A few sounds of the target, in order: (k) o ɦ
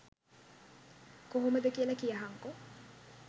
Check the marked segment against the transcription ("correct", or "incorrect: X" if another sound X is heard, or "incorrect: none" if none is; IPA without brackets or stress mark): correct